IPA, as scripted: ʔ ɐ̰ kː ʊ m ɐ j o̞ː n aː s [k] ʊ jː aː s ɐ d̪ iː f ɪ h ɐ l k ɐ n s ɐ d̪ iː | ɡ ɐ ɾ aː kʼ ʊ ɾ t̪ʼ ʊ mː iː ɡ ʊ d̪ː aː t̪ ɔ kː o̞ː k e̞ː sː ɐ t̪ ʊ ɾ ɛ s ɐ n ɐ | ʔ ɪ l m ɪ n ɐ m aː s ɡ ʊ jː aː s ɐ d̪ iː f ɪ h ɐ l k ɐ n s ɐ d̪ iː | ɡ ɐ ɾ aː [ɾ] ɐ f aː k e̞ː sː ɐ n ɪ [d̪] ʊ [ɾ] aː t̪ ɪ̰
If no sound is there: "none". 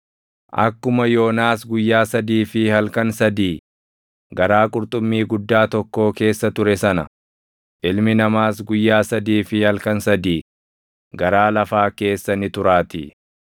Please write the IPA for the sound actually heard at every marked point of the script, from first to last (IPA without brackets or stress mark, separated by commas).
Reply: ɡ, l, t̪, ɾ